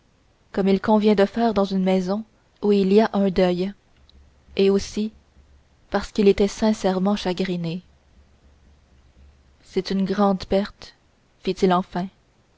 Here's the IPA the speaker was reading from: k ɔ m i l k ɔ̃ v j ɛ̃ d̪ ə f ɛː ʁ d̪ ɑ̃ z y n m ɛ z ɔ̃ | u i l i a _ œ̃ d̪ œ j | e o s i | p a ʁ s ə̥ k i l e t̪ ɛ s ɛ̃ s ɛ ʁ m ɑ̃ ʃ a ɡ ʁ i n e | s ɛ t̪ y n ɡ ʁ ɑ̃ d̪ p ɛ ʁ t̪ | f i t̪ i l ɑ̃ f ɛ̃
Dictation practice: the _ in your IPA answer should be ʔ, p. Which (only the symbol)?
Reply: ʔ